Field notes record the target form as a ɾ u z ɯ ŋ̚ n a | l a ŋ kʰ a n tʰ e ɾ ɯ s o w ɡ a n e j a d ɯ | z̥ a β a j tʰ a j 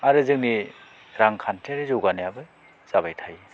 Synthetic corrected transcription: a ɾ ɯ z ɯ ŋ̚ n i | ɾ a ŋ kʰ a n tʰ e ɾ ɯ z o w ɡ a n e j a b ɯ | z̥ a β a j tʰ a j